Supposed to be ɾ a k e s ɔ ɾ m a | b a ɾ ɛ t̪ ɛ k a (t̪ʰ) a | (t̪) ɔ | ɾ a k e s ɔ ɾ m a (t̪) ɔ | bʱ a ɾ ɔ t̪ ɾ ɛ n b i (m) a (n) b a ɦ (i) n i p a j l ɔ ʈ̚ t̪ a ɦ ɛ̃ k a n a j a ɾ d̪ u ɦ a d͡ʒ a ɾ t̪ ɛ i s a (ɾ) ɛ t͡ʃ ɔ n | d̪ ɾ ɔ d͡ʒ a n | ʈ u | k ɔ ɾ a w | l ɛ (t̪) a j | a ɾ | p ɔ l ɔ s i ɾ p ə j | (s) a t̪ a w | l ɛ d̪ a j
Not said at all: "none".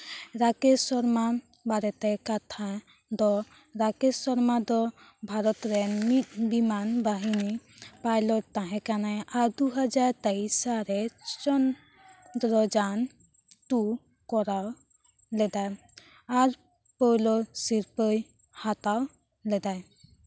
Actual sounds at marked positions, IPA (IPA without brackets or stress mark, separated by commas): t̪ʰ, d̪, d̪, m, n, i, ɾ, d̪, h